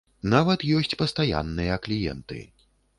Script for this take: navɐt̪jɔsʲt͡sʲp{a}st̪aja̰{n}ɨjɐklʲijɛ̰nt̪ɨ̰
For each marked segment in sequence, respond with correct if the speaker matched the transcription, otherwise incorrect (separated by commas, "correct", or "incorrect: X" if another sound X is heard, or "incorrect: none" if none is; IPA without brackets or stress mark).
incorrect: ɐ, incorrect: nː